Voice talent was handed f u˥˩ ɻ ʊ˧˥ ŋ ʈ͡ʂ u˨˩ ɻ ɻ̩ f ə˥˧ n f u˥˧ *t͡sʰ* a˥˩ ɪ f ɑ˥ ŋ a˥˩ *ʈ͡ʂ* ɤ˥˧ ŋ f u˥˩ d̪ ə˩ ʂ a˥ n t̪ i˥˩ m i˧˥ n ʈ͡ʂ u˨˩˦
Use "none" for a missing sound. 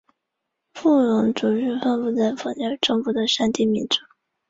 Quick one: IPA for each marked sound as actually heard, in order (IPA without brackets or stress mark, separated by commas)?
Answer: t͡s, ʈ͡ʂ